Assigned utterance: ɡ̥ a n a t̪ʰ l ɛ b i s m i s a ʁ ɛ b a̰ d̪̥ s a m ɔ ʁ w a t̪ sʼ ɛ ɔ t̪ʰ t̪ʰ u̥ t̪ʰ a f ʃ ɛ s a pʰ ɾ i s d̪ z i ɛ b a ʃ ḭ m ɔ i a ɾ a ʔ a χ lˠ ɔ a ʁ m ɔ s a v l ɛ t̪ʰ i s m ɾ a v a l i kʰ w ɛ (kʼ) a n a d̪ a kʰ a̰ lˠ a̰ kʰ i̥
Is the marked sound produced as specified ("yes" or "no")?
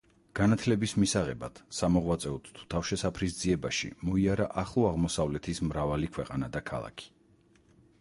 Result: no